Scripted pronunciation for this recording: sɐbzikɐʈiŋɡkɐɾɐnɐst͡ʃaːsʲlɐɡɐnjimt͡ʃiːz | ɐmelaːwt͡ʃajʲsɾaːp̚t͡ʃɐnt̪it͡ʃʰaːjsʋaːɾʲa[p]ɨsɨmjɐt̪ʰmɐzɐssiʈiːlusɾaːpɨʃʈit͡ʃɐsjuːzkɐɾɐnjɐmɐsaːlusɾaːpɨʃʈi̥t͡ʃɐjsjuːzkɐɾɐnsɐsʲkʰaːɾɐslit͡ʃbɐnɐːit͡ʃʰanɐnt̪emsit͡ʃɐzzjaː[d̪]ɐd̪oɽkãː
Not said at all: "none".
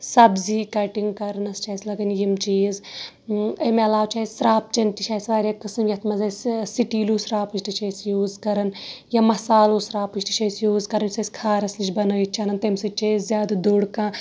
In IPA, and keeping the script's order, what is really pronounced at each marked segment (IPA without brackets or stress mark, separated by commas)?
k, d̪